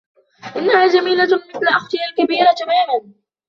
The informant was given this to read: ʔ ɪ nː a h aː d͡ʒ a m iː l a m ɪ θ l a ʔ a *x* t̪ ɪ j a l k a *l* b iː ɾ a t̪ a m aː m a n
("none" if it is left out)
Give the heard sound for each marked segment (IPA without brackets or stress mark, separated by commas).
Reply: x, none